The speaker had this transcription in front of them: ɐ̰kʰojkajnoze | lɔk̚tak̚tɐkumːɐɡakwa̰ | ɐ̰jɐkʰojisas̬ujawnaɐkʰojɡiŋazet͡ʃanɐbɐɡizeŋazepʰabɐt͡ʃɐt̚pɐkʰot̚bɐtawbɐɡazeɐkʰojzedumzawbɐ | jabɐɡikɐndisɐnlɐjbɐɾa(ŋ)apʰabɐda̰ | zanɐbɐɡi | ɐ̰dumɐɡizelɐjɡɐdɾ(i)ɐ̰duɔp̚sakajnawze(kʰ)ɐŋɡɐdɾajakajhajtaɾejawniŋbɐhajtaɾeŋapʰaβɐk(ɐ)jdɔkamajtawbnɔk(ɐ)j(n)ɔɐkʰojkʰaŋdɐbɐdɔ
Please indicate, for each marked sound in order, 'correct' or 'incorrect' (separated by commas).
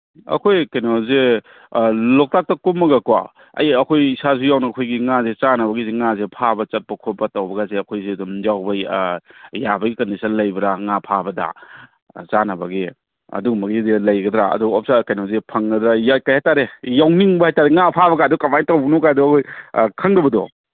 correct, incorrect, incorrect, incorrect, incorrect, incorrect